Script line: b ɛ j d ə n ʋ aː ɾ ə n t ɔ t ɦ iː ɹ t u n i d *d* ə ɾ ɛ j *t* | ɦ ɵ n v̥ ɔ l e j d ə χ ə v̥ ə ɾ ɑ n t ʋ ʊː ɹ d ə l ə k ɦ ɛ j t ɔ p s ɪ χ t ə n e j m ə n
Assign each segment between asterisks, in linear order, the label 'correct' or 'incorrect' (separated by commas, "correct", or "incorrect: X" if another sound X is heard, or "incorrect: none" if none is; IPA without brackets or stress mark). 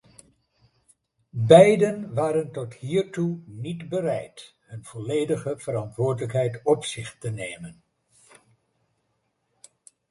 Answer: incorrect: b, correct